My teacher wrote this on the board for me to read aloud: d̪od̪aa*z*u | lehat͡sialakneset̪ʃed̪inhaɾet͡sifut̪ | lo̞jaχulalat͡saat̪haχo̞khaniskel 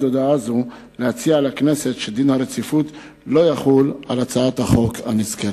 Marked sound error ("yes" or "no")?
no